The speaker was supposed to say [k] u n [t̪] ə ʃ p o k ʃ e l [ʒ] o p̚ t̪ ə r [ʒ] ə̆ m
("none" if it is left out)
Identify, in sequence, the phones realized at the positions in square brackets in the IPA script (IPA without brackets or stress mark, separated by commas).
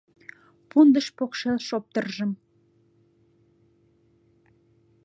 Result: p, d̪, ʃ, ʒ